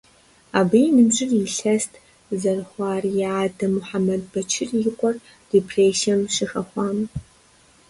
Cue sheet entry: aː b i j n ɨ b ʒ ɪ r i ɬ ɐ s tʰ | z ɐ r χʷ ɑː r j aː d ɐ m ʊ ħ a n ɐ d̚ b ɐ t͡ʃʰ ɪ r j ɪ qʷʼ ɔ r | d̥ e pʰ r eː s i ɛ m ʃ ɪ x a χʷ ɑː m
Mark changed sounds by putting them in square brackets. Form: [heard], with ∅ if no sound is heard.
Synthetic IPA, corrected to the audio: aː b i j n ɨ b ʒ ɪ r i ɬ ɐ s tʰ | z ɐ r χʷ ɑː r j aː d ɐ m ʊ ħ a [m] ɐ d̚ b ɐ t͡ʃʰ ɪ r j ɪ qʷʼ ɔ r | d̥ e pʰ r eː s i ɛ m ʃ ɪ x [ɐ] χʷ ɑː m

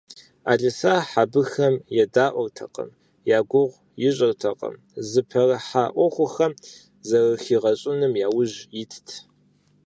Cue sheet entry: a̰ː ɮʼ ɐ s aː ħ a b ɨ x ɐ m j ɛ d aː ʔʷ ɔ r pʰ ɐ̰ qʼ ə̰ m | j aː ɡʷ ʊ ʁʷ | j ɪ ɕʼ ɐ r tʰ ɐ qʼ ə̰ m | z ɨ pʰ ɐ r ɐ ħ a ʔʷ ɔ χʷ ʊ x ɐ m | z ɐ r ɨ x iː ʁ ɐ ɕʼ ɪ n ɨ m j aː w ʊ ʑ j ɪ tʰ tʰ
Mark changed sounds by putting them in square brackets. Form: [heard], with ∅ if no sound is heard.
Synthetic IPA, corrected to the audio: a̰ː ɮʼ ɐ s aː ħ a b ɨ x ɐ m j ɛ d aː ʔʷ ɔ r [tʰ] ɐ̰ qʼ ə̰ m | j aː ɡʷ ʊ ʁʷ | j ɪ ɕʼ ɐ r tʰ ɐ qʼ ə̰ m | z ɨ pʰ ɐ r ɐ ħ a ʔʷ ɔ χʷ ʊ x ɐ m | z ɐ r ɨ x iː ʁ ɐ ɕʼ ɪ n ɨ m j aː w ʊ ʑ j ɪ tʰ tʰ

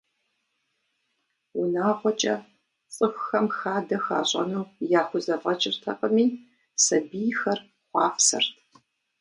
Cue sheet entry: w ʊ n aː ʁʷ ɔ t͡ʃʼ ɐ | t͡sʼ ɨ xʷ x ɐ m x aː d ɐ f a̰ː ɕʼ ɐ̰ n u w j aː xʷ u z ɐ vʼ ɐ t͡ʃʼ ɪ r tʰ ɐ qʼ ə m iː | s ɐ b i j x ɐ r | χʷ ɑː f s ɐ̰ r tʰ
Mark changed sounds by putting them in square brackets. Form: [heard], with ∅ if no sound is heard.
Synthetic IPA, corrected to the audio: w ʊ n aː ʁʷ ɔ t͡ʃʼ ɐ | t͡sʼ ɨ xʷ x ɐ m x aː d ɐ [x] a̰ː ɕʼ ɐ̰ n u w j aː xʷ [ʊ] z ɐ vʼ ɐ t͡ʃʼ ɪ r tʰ ɐ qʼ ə m iː | s ɐ b i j x ɐ r | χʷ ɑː f s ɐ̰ r tʰ

